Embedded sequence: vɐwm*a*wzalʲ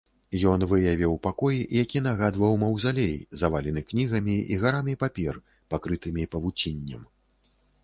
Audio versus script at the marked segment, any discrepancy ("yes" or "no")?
yes